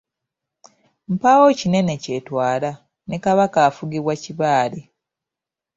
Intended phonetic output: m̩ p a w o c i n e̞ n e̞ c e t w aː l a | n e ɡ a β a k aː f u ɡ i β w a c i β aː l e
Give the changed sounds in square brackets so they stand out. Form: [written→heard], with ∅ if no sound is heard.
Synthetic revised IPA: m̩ p a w o c i n e̞ n e̞ c e t w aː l a | n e [ɡ→k] a β a k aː f u ɡ i β w a c i β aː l e